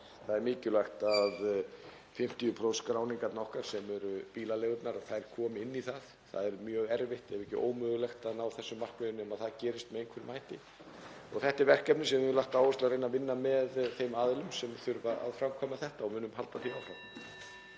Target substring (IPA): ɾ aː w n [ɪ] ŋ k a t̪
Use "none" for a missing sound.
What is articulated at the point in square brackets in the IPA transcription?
i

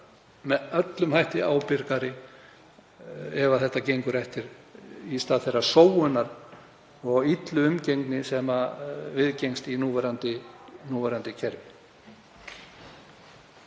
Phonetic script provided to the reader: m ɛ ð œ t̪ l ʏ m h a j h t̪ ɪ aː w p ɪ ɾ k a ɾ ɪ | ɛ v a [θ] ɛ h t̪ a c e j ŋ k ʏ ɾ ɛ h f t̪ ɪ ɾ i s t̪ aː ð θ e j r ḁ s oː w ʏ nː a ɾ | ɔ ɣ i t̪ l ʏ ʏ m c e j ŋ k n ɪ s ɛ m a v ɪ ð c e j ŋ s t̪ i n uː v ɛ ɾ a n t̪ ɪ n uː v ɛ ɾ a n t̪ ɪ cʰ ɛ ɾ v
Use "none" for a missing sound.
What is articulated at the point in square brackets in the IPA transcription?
θ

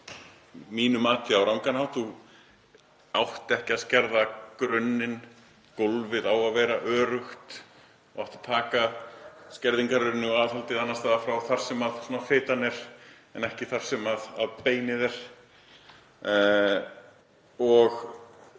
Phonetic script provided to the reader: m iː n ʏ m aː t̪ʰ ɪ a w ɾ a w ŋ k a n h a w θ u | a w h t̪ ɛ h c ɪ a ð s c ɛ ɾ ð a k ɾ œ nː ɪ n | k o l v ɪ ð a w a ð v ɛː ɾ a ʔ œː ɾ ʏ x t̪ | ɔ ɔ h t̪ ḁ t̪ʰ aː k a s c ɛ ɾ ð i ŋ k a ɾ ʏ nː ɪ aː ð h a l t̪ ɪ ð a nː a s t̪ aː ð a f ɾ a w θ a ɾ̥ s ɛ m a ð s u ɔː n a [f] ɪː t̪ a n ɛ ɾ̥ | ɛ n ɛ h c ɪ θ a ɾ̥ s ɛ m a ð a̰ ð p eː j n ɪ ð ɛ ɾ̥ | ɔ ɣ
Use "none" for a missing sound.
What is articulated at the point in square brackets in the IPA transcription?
f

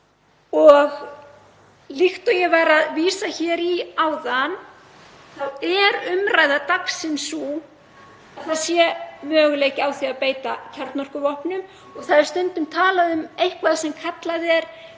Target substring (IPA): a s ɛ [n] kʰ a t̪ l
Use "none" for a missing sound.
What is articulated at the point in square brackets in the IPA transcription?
m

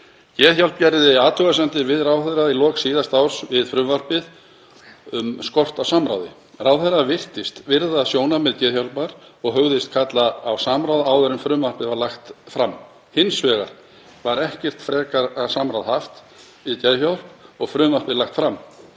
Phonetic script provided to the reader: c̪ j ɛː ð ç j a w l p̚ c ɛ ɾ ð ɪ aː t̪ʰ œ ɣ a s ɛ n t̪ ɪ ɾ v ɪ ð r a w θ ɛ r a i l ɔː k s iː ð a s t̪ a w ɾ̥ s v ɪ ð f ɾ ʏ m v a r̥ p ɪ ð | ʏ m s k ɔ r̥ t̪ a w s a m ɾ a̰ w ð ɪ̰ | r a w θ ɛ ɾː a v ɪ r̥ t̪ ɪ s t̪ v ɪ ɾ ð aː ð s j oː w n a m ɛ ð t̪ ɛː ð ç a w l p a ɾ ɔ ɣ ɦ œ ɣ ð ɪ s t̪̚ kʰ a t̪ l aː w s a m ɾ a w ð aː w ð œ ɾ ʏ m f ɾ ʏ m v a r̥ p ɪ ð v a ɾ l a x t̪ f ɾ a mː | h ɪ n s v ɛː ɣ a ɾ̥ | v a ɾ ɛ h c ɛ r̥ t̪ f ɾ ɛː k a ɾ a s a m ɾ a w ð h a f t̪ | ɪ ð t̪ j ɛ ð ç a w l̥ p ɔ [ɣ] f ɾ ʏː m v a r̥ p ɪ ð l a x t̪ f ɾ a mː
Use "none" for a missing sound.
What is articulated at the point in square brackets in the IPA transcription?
ɣ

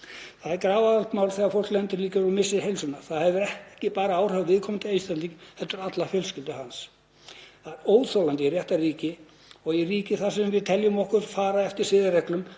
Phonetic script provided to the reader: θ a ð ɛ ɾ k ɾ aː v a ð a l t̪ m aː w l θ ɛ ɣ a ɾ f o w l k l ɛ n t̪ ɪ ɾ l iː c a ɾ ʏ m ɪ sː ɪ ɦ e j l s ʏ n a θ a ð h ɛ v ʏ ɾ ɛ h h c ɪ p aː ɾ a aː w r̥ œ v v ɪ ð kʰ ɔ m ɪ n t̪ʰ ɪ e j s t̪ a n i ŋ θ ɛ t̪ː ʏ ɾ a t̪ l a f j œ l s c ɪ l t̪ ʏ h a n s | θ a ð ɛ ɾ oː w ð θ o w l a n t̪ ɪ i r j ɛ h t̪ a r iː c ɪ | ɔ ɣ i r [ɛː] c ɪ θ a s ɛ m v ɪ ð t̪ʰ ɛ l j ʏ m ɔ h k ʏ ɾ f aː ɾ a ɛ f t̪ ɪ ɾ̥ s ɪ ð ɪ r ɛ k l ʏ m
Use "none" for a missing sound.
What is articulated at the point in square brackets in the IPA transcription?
iː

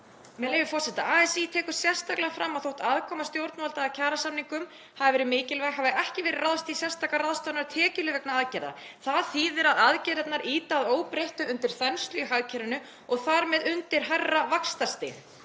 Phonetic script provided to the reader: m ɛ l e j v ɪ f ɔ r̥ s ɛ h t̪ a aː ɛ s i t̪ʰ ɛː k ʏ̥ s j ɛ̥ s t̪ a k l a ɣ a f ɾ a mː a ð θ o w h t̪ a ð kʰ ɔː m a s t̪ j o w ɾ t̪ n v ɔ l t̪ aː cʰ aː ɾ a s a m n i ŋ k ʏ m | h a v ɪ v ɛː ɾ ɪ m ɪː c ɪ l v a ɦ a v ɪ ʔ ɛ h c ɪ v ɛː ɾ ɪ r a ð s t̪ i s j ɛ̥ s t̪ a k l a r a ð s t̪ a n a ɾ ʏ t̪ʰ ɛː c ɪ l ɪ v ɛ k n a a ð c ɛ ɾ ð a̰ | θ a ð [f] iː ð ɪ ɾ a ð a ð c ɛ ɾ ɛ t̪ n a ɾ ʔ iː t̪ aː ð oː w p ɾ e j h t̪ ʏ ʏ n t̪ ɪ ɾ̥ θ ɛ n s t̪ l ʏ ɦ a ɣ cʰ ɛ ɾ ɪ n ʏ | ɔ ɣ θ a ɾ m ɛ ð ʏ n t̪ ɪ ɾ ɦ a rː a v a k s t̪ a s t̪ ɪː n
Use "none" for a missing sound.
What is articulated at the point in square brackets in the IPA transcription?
θ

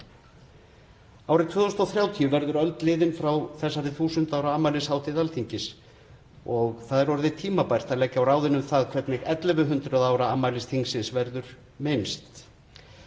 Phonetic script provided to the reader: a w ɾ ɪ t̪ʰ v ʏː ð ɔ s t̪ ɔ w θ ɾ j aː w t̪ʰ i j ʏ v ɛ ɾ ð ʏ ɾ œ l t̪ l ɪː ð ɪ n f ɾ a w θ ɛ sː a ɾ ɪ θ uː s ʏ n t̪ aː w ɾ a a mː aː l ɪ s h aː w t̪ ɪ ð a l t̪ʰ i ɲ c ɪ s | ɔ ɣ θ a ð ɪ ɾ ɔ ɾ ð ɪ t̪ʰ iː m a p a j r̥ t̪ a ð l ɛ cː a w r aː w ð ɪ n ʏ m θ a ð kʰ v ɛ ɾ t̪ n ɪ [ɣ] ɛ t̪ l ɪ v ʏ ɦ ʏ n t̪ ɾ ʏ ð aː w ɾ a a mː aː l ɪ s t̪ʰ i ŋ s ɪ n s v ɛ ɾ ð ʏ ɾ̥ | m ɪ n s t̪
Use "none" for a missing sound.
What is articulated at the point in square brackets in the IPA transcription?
ɣ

